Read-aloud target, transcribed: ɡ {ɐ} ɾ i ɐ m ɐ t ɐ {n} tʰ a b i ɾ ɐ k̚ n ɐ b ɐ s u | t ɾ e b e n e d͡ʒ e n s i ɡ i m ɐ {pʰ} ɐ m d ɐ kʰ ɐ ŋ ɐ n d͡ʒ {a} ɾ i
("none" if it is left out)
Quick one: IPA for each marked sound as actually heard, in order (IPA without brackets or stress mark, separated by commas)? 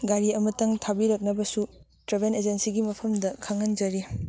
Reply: a, ŋ, pʰ, ɐ